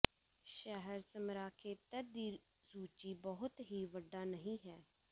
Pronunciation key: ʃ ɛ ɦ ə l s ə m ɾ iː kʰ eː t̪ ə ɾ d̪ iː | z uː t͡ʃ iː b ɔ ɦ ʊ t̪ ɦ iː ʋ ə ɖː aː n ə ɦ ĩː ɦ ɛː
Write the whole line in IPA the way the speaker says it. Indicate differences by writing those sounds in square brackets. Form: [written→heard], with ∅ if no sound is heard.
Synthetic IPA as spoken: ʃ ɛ ɦ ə [l→ɾ] s ə m ɾ [iː→aː] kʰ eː t̪ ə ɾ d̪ iː | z uː t͡ʃ iː b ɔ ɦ ʊ t̪ ɦ iː ʋ ə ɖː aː n ə ɦ ĩː ɦ ɛː